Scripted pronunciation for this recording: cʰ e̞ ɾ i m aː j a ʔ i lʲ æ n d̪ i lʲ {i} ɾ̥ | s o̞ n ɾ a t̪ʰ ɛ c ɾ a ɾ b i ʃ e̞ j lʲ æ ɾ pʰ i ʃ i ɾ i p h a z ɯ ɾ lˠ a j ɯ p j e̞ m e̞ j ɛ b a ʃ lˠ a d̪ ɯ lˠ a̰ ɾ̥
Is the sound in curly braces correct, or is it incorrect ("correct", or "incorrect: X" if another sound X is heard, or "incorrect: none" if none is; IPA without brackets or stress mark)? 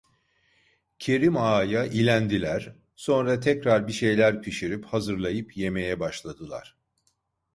incorrect: æ